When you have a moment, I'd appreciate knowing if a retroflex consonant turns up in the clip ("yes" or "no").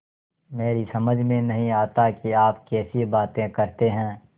no